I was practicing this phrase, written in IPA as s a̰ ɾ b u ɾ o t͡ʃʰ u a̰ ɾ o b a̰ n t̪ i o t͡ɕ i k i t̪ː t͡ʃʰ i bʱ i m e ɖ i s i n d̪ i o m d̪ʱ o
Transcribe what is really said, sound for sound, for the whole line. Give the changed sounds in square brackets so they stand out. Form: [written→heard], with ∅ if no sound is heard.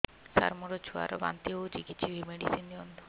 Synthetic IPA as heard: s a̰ ɾ [b→m] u ɾ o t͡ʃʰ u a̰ ɾ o b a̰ n t̪ i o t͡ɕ i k i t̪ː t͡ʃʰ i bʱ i m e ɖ i s i n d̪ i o [m→n] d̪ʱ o